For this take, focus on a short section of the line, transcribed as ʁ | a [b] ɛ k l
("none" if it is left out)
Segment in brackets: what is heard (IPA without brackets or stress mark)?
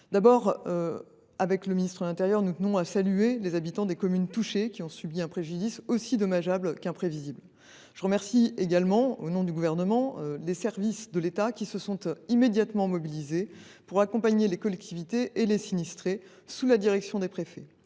v